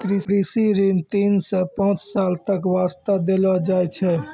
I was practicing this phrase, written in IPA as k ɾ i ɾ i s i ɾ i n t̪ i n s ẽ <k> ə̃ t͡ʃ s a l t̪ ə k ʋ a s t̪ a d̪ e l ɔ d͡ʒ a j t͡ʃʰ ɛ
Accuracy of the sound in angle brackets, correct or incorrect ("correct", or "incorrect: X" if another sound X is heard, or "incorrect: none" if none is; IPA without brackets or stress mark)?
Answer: incorrect: p